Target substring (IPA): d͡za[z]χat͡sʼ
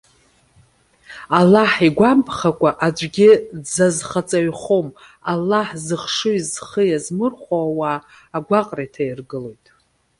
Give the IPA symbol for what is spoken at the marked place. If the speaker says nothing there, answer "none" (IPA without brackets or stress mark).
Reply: z